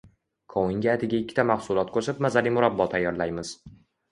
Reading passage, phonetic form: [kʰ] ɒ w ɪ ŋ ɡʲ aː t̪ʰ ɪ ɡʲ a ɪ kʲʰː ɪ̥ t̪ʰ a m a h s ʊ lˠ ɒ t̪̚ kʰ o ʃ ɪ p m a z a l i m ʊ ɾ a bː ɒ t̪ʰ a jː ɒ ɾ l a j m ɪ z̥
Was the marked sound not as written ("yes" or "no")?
no